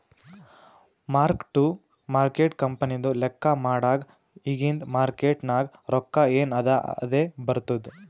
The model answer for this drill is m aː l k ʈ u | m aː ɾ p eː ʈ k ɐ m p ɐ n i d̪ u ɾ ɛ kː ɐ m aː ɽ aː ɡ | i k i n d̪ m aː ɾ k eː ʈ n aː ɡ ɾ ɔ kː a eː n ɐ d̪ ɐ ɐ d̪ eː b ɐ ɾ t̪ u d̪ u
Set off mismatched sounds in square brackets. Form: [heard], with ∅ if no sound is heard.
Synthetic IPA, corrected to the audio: m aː [ɾ] k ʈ u | m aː ɾ [k] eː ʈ k ɐ m p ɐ n i d̪ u [l] ɛ kː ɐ m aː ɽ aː ɡ | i [ɡ] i n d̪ m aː ɾ k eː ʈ n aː ɡ ɾ ɔ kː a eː n ɐ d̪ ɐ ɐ d̪ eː b ɐ ɾ t̪ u d̪ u